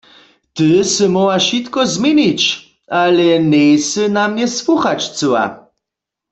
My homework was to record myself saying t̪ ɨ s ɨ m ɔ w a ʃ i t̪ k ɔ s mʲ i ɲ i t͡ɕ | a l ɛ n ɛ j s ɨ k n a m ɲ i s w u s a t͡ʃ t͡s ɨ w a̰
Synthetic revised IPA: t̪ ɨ s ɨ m ɔ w a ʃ i t̪ k ɔ z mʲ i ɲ i t͡ɕ | a l ɛ n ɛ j s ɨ n a m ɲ ɛ s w u x a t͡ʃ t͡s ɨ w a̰